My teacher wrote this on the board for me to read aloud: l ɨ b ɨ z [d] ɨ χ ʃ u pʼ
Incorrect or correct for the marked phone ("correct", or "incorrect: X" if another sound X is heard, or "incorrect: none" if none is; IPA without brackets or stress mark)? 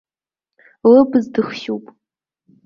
correct